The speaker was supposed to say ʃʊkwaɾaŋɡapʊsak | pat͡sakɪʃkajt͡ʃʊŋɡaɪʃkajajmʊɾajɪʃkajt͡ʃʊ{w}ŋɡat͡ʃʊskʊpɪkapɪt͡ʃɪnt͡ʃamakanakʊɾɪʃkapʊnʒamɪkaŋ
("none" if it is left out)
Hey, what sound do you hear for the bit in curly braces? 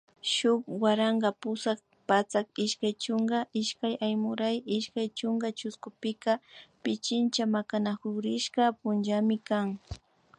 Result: none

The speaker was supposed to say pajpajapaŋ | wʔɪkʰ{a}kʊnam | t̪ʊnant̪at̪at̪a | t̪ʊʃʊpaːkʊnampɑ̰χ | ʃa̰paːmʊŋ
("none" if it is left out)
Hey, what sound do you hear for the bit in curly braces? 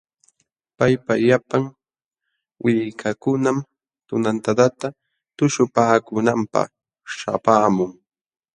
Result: a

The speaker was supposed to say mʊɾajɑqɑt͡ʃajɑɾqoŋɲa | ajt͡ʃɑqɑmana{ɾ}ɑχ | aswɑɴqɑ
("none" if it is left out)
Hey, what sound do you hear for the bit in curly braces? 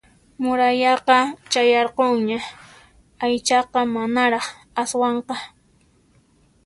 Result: ɾ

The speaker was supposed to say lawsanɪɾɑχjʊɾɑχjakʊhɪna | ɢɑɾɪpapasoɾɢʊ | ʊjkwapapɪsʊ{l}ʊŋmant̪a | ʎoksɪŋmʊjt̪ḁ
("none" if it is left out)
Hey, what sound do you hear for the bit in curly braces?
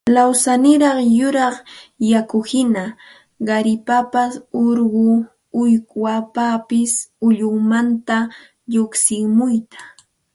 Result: ʎ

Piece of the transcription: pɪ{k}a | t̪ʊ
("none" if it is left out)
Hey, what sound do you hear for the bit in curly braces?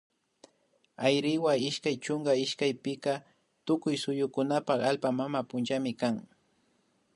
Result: k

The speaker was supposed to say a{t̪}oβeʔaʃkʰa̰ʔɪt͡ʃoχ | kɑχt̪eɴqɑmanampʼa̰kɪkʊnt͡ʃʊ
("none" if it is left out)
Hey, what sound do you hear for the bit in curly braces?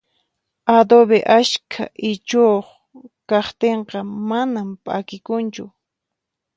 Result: d̪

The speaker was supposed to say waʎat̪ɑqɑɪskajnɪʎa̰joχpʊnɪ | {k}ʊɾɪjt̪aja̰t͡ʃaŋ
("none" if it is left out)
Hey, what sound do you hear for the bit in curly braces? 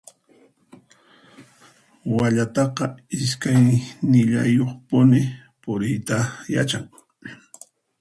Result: p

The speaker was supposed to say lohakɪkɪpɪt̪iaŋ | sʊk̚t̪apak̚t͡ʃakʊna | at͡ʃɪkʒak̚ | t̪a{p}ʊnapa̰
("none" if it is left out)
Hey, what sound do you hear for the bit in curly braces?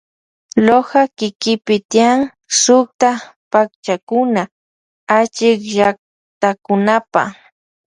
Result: k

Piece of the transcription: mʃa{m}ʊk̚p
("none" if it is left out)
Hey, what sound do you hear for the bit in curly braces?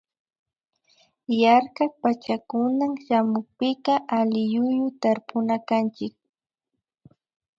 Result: m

